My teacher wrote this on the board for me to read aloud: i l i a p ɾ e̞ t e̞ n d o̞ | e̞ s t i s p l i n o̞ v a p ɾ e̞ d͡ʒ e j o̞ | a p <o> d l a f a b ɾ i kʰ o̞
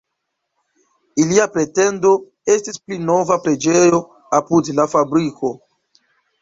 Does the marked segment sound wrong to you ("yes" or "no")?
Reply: yes